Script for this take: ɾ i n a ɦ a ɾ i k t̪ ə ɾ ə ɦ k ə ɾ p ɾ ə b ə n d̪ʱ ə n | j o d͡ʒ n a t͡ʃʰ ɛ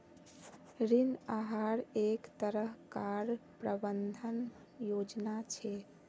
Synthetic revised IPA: ɾ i n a ɦ a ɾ e k t̪ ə ɾ ə ɦ k a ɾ p ɾ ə b ə n d̪ʱ ə n | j o d͡ʒ n a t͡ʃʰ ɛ

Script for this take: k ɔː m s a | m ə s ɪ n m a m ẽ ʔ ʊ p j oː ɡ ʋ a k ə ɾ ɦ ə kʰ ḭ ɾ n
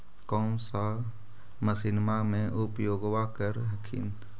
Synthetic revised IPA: k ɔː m s a | m ə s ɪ n m a m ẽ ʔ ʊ p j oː ɡ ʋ a k ə ɾ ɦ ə kʰ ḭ n

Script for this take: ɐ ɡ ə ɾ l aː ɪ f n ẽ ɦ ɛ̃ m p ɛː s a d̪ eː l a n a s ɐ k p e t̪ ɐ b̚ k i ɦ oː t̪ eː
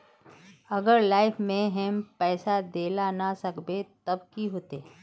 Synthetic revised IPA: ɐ ɡ ə ɾ l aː ɪ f m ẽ ɦ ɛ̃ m p ɛː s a d̪ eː l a n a s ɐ k b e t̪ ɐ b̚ k i ɦ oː t̪ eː

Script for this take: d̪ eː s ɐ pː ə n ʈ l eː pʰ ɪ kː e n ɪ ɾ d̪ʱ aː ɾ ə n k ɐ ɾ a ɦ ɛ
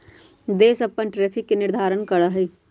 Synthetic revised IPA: d̪ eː s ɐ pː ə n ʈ ɾ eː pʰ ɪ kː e n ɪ ɾ d̪ʱ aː ɾ ə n k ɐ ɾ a ɦ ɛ

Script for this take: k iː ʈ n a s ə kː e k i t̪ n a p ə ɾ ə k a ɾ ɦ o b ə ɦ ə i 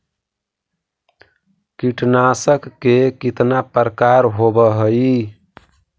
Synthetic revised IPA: k i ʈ n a s ə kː e k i t̪ n a p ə ɾ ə k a ɾ ɦ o b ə ɦ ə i

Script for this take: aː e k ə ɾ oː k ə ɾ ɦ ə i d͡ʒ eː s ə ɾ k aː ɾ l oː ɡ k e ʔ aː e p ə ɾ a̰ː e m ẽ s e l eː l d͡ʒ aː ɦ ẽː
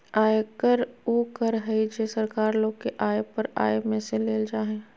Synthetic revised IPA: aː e k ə ɾ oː k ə ɾ ɦ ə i d͡ʒ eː s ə ɾ k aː ɾ l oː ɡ k e ʔ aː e p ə ɾ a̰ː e m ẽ s e l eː l d͡ʒ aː ɦ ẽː

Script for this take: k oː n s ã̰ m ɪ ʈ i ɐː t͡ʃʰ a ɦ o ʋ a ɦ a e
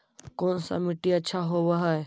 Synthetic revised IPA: k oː n s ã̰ m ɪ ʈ i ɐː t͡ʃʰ a ɦ o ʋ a ɦ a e

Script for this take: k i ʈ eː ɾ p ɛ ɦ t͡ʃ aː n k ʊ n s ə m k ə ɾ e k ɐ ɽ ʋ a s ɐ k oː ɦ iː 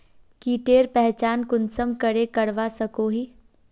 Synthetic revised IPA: k i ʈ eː ɾ p ɛ ɦ t͡ʃ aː n k ʊ n s ə m k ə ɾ e k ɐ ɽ ʋ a s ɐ k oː ɦ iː

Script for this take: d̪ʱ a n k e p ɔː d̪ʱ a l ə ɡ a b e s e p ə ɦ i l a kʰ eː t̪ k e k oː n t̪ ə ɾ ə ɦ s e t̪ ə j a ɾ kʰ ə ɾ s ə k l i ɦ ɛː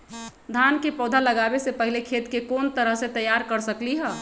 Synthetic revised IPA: d̪ʱ a n k e p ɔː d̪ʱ a l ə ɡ a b e s e p ə ɦ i l e kʰ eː t̪ k e k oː n t̪ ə ɾ ə ɦ s e t̪ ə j a ɾ k ə ɾ s ə k l i ɦ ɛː

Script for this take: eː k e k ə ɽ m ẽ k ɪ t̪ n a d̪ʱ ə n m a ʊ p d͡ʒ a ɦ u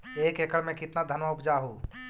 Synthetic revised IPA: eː k e k ə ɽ m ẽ k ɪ t̪ n a d̪ʱ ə n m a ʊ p d͡ʒ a ɦ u

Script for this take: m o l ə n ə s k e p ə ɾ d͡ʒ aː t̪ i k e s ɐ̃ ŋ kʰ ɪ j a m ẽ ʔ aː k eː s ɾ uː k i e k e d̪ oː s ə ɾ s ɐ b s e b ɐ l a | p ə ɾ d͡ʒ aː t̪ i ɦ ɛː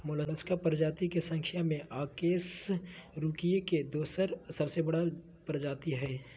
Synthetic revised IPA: m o l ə n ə s k a p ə ɾ d͡ʒ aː t̪ i k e s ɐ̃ ŋ kʰ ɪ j a m ẽ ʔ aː k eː s ɾ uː k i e k e d̪ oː s ə ɾ s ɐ b s e b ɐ ɽ a | p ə ɾ d͡ʒ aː t̪ i ɦ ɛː

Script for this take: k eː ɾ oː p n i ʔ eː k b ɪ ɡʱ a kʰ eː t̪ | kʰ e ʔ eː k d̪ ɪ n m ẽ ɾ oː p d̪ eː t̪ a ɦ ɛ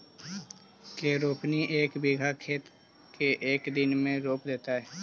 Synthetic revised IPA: k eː ɾ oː p n i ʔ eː k b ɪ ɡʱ a kʰ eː t̪ | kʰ e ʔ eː k d̪ ɪ n m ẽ ɾ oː p d̪ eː t̪ a ɦ ɛː

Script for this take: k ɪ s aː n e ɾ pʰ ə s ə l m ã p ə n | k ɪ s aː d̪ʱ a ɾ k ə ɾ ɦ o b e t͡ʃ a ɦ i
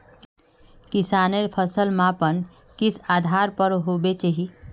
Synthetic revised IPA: k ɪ s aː n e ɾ pʰ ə s ə l m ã p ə n | k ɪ s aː d̪ʱ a ɾ p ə ɾ ɦ o b e t͡ʃ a ɦ i

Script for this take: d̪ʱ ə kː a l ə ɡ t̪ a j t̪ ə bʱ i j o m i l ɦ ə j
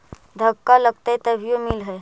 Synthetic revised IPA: d̪ʱ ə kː a l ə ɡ t̪ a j t̪ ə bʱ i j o m i l ɦ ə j

